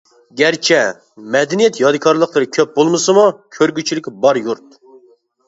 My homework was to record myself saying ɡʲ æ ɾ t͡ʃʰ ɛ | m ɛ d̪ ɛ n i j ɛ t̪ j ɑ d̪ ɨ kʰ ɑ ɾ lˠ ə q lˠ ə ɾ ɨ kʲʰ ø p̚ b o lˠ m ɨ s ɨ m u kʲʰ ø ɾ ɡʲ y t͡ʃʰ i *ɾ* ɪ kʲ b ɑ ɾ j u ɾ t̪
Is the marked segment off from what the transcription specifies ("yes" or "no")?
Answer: yes